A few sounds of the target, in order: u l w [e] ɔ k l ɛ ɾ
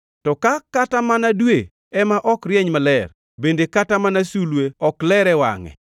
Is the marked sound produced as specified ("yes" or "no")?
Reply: yes